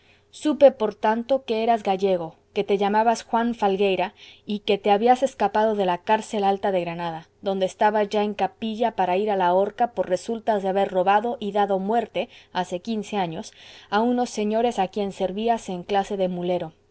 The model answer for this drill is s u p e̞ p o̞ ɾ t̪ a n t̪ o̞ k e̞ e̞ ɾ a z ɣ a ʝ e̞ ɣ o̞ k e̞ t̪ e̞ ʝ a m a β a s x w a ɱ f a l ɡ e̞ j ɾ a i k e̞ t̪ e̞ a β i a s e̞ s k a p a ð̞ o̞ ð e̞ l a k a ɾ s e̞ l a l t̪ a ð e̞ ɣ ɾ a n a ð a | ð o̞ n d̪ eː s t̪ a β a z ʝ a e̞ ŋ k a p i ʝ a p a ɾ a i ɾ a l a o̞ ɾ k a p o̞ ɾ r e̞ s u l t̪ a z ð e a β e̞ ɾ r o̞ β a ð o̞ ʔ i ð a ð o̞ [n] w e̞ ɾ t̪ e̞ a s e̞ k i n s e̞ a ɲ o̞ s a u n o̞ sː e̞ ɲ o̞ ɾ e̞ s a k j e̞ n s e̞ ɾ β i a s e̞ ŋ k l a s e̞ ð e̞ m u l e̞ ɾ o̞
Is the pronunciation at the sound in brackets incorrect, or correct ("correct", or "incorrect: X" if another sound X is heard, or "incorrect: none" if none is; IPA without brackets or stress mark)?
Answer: incorrect: m